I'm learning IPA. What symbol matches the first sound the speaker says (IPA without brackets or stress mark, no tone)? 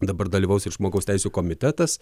d̪